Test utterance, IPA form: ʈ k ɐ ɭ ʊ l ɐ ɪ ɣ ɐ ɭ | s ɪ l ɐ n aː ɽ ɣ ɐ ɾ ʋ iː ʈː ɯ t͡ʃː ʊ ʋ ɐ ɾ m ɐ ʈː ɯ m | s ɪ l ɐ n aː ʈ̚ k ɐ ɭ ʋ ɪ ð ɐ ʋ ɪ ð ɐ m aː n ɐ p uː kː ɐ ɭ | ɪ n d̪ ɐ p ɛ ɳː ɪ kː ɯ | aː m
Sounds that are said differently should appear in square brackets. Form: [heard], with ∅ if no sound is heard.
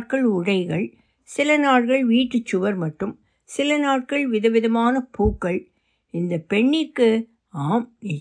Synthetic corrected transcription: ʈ k ɐ ɭ ʊ [ɽ] ɐ ɪ ɣ ɐ ɭ | s ɪ l ɐ n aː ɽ ɣ ɐ [ɭ] ʋ iː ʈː ɯ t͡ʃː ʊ ʋ ɐ ɾ m ɐ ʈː ɯ m | s ɪ l ɐ n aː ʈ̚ k ɐ ɭ ʋ ɪ ð ɐ ʋ ɪ ð ɐ m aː n ɐ p uː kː ɐ ɭ | ɪ n d̪ ɐ p ɛ ɳː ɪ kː ɯ | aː m